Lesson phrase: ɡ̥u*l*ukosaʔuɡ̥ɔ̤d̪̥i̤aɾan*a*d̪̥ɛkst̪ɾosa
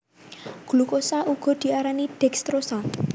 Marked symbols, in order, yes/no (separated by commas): yes, no